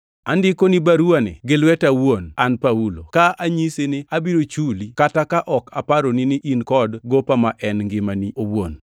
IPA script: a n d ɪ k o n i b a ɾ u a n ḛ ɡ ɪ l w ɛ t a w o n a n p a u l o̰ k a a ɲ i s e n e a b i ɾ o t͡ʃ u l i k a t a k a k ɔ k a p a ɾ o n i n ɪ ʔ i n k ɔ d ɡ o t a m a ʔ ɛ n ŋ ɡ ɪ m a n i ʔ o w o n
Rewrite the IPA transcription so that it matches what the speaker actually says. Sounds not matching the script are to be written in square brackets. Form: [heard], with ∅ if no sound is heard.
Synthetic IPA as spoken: a n d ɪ k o n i b a ɾ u a n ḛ ɡ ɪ l w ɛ t a w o n a n p a u l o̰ k a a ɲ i s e n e a b i ɾ o t͡ʃ u l i k a t a k a [ʔ] ɔ k a p a ɾ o n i n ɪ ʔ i n k ɔ d ɡ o [p] a m a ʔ ɛ n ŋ ɡ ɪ m a n i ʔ o w o n

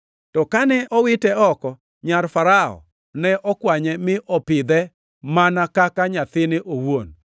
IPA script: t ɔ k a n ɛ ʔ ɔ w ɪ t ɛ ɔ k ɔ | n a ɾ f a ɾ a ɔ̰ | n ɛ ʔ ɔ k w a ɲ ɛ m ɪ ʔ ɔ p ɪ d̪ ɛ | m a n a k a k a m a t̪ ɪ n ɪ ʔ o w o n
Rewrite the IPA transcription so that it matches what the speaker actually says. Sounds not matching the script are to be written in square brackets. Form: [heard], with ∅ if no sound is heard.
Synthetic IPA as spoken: t ɔ k a n ɛ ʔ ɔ w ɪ t ɛ ɔ k ɔ | [ɲ] a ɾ f a ɾ a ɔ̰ | n ɛ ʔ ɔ k w a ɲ ɛ m ɪ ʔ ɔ p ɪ d̪ ɛ | m a n a k a k a [ɲ] a t̪ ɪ n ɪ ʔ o w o n

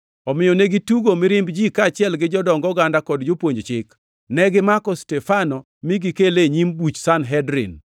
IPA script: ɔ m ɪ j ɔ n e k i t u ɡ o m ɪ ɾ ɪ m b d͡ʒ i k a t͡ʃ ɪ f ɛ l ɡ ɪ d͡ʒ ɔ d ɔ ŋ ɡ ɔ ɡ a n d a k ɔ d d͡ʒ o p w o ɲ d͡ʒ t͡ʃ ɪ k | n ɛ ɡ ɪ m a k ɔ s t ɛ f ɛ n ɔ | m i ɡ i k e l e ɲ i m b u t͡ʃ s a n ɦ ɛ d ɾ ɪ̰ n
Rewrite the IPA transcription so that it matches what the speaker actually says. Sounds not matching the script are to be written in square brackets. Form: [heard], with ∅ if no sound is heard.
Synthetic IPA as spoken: ɔ m ɪ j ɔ n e [ɡ] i t u ɡ o m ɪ ɾ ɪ m b d͡ʒ i k a t͡ʃ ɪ [∅] ɛ l ɡ ɪ d͡ʒ ɔ d ɔ ŋ ɡ ɔ ɡ a n d a k ɔ d d͡ʒ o p w o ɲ d͡ʒ t͡ʃ ɪ k | n ɛ ɡ ɪ m a k ɔ s t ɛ f [a] n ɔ | m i ɡ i k e l e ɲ i m b u t͡ʃ s a n ɦ ɛ d ɾ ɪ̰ n

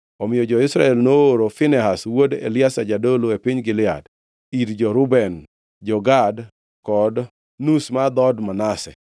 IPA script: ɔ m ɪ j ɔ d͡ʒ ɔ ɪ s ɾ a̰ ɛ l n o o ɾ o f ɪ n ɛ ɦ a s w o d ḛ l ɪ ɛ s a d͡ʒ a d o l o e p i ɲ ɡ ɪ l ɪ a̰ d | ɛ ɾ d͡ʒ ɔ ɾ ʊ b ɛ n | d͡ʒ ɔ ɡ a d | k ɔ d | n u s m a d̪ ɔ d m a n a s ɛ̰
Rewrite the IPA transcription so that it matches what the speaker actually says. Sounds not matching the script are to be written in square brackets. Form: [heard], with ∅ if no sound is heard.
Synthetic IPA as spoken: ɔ m ɪ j ɔ d͡ʒ ɔ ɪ s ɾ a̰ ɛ l n o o ɾ o f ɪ n ɛ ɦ a s w o d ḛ l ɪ [a] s a d͡ʒ a d o l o e p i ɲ ɡ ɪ l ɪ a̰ d | [i] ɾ d͡ʒ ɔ ɾ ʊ b ɛ n | d͡ʒ ɔ ɡ a d | k ɔ d | n u s m a d̪ ɔ d m a n a s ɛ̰

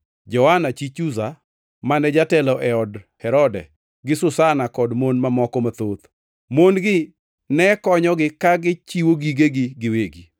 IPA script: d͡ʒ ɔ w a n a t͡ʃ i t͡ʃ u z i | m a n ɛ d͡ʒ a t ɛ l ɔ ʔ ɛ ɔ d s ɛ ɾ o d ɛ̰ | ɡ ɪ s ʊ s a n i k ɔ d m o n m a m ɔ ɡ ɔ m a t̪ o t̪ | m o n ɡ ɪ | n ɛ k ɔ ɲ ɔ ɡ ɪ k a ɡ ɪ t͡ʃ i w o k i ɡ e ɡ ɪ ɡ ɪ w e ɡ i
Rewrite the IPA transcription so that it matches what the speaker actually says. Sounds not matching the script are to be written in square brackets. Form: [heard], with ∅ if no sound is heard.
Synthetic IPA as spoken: d͡ʒ ɔ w a n a t͡ʃ i t͡ʃ u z [a] | m a n ɛ d͡ʒ a t ɛ l ɔ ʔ ɛ ɔ d [h] ɛ ɾ [ɔ] d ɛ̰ | ɡ ɪ s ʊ s a n [a] k ɔ d m o n m a m ɔ [k] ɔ m a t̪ o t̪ | m o n ɡ ɪ | n ɛ k ɔ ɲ ɔ ɡ ɪ k a ɡ ɪ t͡ʃ i w o [ɡ] i ɡ e ɡ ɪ ɡ ɪ w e ɡ i

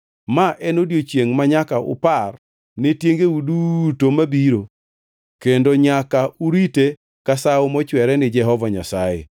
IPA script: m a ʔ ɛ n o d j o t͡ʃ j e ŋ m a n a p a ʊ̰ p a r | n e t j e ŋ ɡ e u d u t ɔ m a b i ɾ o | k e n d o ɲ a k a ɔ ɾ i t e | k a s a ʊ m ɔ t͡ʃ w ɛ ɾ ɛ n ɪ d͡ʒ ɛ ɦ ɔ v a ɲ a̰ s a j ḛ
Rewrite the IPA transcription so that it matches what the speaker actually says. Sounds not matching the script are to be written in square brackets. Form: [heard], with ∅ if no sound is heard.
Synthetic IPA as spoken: m a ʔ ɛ n o d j o t͡ʃ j e ŋ m a [ɲ] a [k] a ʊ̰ p a r | n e t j e ŋ ɡ e u d u t [o] m a b i ɾ o | k e n d o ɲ a k a [u] ɾ i t e | k a s a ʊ m ɔ t͡ʃ w ɛ ɾ ɛ n ɪ d͡ʒ ɛ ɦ ɔ v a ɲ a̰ s a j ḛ

